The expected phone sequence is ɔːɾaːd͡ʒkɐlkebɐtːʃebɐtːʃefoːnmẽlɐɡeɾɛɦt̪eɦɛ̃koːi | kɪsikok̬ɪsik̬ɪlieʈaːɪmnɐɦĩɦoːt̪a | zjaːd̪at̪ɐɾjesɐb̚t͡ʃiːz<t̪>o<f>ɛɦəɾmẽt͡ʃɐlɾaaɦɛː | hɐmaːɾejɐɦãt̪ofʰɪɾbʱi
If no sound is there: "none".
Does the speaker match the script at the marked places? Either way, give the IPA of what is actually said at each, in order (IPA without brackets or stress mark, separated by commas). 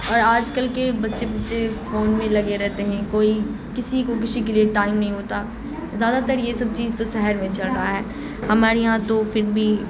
t̪, s